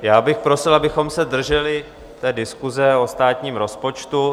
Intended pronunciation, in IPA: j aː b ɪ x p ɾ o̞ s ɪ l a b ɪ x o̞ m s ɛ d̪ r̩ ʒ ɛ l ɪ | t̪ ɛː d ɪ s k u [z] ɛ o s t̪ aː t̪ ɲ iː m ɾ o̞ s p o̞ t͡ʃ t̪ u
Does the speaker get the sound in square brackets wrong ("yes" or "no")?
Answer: no